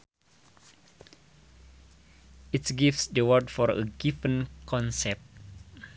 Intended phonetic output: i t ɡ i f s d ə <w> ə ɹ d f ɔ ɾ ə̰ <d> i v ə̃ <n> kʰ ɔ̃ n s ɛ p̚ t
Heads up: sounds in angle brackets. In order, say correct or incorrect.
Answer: correct, incorrect: ɡ, correct

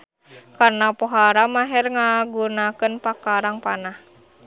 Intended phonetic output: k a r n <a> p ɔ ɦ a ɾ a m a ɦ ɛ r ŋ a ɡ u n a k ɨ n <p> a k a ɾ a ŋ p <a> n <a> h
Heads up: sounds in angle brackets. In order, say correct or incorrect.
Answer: correct, correct, correct, correct

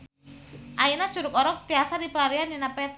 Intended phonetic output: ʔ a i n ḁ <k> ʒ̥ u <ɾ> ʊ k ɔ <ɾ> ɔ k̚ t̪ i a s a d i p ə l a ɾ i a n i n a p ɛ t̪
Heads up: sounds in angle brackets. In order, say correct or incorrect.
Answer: incorrect: none, correct, correct

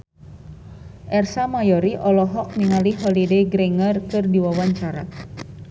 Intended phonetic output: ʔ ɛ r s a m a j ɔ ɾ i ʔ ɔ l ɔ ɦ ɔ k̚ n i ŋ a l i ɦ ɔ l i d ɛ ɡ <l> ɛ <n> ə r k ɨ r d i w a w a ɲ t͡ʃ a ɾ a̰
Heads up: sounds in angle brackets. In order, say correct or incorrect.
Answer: incorrect: ɾ, incorrect: ŋ

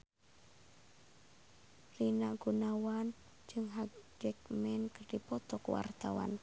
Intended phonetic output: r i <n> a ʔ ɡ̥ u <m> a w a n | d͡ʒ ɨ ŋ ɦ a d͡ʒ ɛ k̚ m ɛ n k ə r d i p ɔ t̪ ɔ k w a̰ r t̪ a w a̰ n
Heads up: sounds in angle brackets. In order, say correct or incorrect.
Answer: correct, incorrect: n

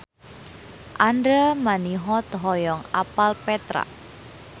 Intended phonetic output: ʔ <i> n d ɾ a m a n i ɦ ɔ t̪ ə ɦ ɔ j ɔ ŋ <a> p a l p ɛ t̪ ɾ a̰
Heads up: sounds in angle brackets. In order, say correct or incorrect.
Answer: incorrect: a, correct

